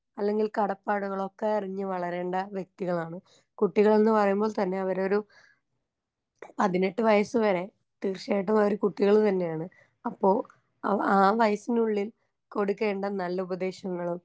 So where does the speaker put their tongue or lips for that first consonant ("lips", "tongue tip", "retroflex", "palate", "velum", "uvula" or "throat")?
tongue tip